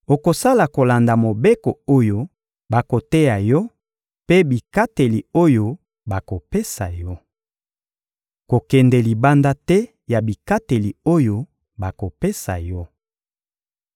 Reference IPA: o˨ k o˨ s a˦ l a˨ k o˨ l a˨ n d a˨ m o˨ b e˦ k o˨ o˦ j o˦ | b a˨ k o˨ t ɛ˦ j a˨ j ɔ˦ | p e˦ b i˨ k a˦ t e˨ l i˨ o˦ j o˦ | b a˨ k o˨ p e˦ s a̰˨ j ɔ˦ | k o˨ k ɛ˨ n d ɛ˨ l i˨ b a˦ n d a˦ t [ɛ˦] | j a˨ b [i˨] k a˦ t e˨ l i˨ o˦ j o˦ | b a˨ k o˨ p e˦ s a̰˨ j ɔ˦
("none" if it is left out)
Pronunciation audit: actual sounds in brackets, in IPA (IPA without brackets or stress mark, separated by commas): ɛ˦, i˨